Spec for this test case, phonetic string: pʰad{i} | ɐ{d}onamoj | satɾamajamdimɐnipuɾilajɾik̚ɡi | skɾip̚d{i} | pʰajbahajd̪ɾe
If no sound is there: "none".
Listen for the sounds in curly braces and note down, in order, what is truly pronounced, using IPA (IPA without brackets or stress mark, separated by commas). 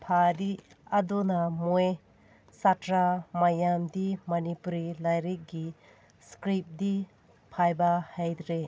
i, d, i